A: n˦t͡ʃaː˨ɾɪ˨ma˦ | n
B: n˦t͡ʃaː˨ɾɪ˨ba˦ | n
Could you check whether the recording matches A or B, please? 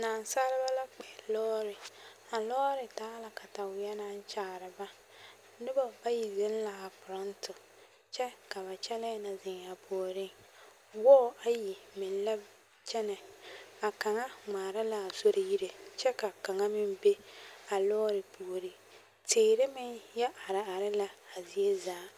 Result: B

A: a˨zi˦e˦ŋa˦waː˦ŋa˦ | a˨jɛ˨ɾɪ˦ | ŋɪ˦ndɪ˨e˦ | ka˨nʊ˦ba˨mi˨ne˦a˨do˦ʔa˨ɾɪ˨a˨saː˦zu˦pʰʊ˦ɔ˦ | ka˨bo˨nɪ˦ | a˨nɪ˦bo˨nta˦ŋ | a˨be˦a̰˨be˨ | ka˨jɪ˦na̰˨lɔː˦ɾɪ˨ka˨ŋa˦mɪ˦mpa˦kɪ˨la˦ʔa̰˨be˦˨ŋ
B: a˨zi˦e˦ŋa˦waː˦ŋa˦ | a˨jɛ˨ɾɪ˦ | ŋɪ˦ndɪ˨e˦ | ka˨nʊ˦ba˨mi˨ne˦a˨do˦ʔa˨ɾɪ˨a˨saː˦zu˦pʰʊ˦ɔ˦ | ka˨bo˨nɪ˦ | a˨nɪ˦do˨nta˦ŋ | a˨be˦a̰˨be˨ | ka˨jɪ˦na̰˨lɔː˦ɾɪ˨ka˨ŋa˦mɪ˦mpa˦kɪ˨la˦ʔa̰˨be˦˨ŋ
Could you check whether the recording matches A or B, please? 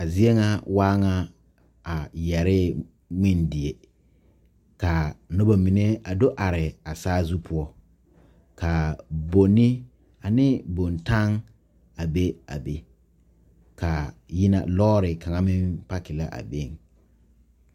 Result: A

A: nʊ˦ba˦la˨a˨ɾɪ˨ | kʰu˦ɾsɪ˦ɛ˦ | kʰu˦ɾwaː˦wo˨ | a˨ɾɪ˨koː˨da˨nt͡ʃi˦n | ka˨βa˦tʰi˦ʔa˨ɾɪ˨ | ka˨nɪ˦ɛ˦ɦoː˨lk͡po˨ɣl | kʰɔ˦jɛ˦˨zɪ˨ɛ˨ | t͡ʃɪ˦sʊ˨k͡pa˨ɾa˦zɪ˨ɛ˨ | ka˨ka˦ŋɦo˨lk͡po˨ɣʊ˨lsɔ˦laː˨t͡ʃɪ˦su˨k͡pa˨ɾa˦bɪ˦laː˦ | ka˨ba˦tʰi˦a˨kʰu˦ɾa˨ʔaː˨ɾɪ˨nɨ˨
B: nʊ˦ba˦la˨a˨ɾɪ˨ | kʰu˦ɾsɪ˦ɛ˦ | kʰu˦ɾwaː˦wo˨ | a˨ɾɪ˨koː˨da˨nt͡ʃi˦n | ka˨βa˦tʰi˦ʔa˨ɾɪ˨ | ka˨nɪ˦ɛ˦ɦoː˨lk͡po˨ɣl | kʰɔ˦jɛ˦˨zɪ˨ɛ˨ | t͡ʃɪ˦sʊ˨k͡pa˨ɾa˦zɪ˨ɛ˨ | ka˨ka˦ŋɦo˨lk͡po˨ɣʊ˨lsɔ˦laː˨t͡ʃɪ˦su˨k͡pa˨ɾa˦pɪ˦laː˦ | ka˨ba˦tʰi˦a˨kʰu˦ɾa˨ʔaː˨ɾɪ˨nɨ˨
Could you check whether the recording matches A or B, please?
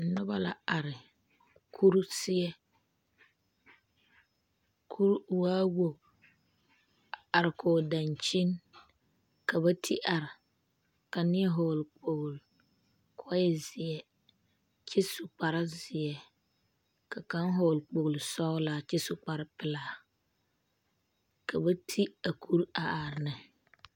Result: B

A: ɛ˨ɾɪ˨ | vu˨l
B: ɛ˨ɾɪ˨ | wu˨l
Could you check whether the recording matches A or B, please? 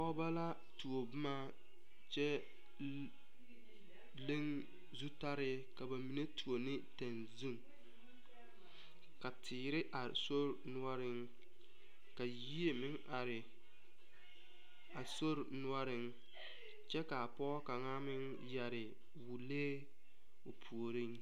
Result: B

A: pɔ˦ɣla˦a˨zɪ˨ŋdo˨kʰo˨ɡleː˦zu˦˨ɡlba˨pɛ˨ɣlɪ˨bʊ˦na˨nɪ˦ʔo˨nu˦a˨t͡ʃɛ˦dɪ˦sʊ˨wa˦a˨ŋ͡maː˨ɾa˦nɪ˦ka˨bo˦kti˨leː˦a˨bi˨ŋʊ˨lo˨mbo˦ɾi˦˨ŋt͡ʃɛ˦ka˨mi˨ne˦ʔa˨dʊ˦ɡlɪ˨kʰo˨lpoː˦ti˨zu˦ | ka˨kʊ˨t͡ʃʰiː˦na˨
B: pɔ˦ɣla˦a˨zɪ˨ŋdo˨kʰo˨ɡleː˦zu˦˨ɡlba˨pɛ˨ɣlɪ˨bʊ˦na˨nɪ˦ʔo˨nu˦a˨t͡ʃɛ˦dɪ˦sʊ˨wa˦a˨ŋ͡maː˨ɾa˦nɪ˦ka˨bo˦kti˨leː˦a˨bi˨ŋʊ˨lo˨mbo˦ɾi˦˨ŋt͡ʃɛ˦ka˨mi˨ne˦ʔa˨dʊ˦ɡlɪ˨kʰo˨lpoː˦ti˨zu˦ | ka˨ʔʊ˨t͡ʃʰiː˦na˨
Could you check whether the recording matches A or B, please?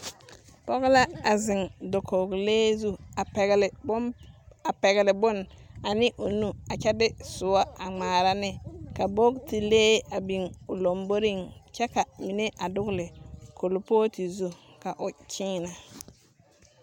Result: B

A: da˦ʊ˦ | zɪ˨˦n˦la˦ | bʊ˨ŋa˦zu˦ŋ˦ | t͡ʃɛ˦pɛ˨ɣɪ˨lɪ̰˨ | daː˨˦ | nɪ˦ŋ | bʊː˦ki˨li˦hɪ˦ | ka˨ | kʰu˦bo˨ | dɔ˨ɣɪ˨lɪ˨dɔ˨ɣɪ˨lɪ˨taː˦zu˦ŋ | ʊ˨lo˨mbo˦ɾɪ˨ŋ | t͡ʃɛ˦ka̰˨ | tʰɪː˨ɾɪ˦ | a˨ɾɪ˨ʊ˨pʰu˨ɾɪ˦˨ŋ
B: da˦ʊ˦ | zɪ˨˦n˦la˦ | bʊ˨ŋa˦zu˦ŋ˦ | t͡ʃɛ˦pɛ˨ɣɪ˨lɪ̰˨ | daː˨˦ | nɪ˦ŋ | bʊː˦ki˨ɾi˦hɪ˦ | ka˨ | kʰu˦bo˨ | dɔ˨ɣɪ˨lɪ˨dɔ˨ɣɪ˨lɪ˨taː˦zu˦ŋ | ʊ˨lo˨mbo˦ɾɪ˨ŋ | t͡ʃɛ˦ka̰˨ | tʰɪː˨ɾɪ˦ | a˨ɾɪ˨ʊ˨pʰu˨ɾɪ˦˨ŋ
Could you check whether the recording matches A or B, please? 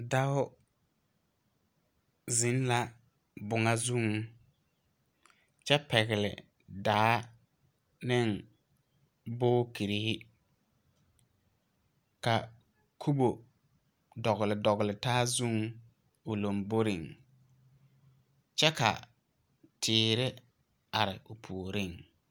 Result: B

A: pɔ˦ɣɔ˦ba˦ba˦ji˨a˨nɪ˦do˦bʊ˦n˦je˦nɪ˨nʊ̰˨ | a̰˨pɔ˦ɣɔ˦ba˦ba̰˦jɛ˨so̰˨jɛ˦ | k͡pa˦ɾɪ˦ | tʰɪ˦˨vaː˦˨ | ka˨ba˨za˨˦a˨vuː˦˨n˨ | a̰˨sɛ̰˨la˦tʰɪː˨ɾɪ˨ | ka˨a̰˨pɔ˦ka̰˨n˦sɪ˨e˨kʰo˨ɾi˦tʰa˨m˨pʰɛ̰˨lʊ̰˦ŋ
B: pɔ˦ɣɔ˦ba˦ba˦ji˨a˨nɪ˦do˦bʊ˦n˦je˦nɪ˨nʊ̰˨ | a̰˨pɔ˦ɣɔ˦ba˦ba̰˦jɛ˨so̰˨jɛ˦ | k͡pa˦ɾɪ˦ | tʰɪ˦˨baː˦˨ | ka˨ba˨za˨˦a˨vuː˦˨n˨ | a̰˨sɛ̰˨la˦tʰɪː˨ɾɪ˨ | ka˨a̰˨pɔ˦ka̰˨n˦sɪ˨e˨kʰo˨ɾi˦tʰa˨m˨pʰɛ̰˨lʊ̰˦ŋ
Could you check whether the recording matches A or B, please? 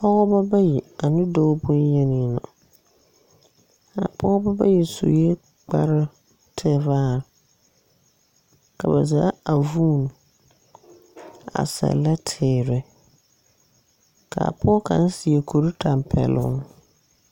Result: A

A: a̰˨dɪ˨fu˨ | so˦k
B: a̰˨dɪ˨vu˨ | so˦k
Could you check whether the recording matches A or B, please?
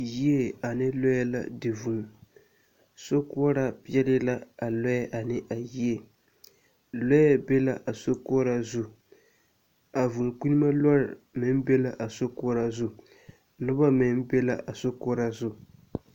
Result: B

